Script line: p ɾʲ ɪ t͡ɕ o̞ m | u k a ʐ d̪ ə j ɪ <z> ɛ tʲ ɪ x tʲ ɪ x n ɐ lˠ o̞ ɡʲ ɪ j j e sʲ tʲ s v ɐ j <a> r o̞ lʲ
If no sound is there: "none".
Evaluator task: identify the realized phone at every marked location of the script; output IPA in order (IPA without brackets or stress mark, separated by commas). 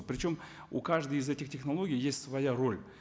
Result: z, a